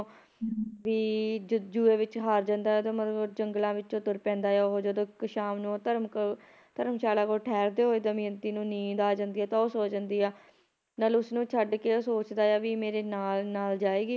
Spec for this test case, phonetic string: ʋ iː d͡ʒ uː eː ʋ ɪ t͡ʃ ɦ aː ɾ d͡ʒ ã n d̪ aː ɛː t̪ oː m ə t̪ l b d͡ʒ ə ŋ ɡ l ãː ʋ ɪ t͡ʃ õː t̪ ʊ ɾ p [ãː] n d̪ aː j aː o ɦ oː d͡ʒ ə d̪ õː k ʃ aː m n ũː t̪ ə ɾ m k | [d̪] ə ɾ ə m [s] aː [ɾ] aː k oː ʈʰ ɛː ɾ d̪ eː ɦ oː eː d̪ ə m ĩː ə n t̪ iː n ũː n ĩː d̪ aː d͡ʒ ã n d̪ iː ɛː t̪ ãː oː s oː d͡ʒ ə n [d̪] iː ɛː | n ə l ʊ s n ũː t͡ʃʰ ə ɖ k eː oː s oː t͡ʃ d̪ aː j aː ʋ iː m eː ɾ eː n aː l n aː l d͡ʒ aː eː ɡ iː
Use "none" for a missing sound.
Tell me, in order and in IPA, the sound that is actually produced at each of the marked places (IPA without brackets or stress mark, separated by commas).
ɛ̃ː, t̪, ʃ, l, d̪